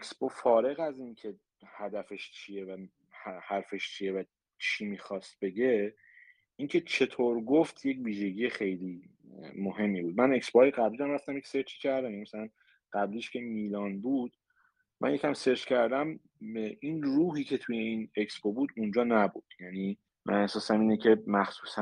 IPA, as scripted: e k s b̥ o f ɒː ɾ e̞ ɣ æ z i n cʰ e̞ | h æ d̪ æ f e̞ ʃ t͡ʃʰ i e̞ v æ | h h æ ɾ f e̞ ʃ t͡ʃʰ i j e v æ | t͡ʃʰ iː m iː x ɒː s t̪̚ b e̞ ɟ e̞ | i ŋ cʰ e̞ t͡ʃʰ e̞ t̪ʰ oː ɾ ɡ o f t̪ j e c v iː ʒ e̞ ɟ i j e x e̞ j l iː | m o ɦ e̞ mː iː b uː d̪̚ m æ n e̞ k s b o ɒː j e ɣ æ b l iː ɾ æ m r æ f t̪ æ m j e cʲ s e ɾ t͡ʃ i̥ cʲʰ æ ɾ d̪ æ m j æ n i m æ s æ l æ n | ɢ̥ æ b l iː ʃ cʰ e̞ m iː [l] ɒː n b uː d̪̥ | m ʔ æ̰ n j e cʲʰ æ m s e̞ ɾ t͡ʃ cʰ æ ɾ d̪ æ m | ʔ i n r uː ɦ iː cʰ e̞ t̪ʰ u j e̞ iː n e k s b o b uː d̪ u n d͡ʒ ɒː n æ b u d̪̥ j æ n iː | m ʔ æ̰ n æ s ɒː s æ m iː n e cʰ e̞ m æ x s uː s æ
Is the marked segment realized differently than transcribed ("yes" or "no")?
no